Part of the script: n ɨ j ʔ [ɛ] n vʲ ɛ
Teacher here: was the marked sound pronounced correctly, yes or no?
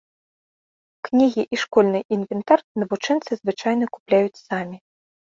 no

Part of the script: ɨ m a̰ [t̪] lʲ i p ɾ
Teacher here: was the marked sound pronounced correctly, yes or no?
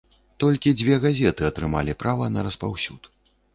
no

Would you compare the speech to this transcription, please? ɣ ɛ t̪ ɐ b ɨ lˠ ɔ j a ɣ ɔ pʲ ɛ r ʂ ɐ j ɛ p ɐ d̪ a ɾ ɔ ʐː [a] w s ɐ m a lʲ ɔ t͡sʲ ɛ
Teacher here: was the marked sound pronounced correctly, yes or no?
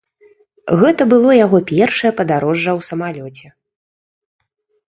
no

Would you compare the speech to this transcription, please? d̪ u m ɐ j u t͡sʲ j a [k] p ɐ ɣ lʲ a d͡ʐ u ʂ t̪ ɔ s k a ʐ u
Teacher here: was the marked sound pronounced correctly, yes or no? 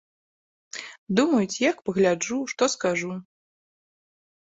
yes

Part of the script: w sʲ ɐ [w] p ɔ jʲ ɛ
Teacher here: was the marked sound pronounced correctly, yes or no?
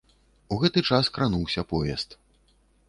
no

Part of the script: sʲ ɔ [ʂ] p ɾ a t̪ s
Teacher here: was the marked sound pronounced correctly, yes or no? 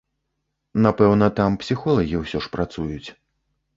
yes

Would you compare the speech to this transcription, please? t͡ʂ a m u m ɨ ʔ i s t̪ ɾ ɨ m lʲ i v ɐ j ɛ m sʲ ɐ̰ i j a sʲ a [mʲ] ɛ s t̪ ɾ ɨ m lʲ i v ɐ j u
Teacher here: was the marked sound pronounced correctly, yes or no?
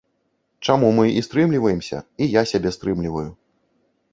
no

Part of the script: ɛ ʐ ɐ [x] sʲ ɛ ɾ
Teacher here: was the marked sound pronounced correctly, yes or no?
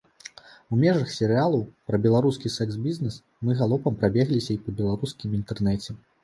yes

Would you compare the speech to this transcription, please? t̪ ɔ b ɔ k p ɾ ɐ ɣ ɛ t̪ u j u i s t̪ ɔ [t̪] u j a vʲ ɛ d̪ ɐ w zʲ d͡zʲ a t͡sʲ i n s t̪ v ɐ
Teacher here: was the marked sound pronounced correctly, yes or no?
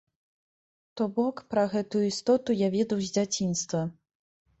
yes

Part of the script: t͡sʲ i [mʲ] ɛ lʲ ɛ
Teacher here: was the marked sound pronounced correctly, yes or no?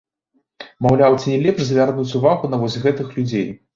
no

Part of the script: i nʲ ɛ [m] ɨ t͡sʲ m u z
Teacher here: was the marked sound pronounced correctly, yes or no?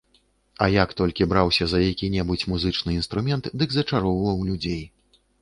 no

